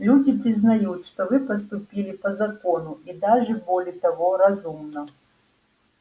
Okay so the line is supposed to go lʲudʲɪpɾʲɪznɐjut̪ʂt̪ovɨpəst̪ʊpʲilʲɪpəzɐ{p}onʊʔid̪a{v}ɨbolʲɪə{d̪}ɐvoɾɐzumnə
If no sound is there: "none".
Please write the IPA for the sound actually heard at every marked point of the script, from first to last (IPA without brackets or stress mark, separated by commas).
k, ʐ, t̪